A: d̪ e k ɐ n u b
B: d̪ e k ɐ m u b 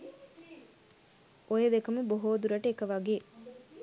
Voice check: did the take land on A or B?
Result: B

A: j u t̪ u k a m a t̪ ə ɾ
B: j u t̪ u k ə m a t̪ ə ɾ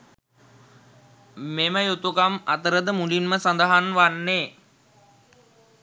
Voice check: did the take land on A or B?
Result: A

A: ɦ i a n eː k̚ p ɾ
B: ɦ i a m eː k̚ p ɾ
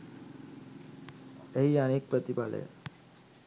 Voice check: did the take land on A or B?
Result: A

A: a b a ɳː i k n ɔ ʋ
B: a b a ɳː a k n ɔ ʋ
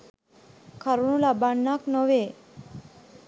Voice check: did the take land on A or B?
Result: B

